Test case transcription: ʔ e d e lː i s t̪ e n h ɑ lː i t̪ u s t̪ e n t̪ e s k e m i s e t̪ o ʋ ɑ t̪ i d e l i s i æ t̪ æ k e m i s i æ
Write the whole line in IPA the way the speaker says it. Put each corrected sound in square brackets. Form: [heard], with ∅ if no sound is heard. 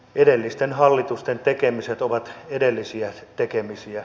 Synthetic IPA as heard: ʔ e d e lː i s t̪ e n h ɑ lː i t̪ u s t̪ e n t̪ e [∅] k e m i s e t̪ o ʋ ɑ t̪ [e] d e [lː] i s i æ t̪ [e] k e m i s i æ